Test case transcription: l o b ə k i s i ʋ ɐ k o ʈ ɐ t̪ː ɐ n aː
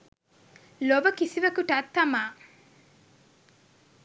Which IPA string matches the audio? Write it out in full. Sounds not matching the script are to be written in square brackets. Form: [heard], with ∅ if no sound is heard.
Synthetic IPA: l o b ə k i s i ʋ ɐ k [u] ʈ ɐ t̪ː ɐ [m] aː

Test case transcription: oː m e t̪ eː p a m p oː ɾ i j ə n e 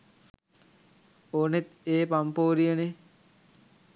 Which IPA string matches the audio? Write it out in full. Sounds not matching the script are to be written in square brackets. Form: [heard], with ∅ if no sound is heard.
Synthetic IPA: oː [n] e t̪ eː p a m p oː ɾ i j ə n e

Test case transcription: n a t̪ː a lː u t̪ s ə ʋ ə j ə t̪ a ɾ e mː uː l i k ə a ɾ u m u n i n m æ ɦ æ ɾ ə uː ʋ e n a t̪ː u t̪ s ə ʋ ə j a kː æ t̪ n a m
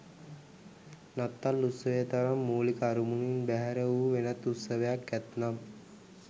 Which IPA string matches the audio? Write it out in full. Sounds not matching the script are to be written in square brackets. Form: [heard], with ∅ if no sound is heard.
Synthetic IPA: n a t̪ː a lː u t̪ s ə ʋ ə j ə t̪ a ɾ [a] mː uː l i k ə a ɾ u m u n i n [b] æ ɦ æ ɾ ə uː ʋ e n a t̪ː u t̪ s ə ʋ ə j a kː æ t̪ n a m

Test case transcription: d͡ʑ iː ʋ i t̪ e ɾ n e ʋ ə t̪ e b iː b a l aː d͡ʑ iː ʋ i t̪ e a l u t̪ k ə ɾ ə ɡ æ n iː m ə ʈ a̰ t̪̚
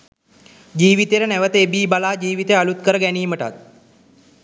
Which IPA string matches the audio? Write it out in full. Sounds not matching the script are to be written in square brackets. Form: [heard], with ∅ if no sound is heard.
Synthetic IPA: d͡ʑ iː ʋ i t̪ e ɾ n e ʋ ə t̪ e b iː b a l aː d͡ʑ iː ʋ i t̪ e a l u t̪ k ə ɾ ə ɡ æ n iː m ə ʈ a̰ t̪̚

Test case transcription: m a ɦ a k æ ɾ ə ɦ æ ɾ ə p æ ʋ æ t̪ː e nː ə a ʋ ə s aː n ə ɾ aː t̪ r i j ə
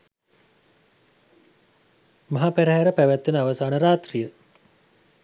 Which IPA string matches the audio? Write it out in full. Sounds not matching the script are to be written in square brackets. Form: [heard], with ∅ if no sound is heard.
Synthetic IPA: m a ɦ a [p] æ ɾ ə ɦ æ ɾ ə p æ ʋ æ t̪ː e [n] ə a ʋ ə s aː n ə ɾ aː t̪ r i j ə

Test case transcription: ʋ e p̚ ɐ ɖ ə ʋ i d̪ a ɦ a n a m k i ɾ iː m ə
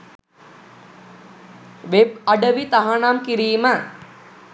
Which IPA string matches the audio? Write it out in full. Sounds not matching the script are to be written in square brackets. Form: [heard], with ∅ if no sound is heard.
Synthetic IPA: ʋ e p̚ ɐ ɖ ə ʋ i [t̪] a ɦ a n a m k i ɾ iː m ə

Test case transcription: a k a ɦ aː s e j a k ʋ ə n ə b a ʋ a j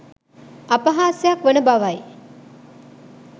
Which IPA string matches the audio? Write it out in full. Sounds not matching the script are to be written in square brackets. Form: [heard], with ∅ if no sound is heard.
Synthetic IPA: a [p] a ɦ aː s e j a k ʋ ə n ə b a ʋ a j

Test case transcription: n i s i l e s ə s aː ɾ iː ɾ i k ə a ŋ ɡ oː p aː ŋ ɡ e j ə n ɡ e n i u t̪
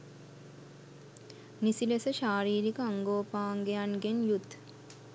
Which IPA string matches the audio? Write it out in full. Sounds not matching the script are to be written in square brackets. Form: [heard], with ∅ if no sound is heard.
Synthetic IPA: n i s i l e s ə [ʃ] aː ɾ iː ɾ i k ə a ŋ ɡ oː p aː ŋ ɡ e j [a] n ɡ e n [j] u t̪

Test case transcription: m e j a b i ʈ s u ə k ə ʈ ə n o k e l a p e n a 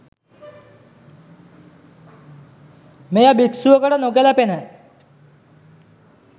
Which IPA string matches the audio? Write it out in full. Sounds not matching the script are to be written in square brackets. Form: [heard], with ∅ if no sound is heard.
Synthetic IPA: m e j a b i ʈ s u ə k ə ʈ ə n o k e l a p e n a

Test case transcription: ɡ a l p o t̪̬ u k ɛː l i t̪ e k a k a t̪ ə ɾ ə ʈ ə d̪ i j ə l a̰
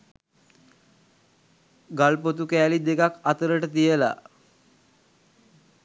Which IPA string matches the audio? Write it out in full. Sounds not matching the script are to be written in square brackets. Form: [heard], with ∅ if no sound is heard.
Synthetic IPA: ɡ a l p o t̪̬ u k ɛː l i [d̪] e k a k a t̪ ə ɾ ə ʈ ə [t̪] i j ə l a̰

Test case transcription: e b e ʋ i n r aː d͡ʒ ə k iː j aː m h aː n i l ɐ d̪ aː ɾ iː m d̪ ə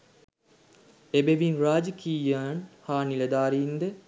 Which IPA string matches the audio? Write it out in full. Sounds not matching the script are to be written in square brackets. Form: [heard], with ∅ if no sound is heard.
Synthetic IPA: e b e ʋ i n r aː d͡ʒ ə k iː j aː [n] h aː n i l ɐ d̪ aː ɾ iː [n] d̪ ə

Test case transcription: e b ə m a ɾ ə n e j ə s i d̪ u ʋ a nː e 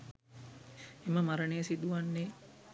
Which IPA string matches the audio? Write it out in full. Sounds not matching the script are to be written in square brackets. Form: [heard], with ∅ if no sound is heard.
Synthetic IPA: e [m] ə m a ɾ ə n e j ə s i d̪ u ʋ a nː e

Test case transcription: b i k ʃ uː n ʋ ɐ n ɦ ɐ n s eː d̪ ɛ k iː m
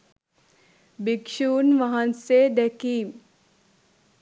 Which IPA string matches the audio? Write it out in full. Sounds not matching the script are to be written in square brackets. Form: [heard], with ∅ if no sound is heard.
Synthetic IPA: b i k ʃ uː n ʋ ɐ [∅] ɦ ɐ n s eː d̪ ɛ k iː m

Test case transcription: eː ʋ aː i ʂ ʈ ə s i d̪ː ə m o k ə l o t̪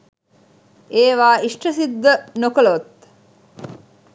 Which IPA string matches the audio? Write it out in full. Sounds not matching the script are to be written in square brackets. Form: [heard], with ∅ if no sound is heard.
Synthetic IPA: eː ʋ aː i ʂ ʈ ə s i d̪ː ə [n] o k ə l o t̪

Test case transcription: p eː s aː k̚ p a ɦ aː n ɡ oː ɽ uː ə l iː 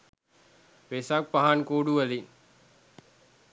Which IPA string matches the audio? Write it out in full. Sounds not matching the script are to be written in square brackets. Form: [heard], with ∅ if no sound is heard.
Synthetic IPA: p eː s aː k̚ p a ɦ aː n [k] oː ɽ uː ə l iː

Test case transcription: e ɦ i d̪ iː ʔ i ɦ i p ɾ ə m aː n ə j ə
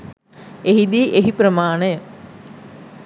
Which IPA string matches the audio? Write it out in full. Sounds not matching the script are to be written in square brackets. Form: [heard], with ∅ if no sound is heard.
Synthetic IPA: e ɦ i d̪ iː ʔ [e] ɦ i p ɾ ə m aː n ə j ə

